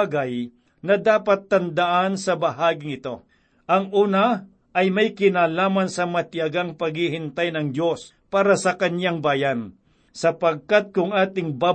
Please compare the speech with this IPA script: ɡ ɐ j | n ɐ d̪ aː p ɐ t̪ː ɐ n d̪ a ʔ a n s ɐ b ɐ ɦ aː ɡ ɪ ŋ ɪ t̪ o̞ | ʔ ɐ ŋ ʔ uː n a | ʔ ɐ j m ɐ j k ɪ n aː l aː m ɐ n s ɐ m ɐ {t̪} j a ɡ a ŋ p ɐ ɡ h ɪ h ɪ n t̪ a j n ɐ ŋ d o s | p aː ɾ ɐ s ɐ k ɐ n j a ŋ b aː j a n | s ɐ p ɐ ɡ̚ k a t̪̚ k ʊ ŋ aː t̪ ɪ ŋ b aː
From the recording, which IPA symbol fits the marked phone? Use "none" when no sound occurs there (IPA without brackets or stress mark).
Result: t̪